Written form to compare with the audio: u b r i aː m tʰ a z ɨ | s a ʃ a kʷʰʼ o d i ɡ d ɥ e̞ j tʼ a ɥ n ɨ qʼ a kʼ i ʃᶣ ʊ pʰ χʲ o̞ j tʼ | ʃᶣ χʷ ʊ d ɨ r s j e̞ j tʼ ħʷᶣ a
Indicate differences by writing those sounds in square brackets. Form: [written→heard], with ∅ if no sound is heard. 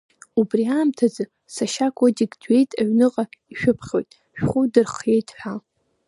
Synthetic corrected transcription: u b r i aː m tʰ a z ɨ | s a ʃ a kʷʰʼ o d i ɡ d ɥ e̞ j tʼ a ɥ n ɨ qʼ a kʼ i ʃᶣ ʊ pʰ χʲ o̞ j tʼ | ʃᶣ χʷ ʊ d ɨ r [s→χ] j e̞ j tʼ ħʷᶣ a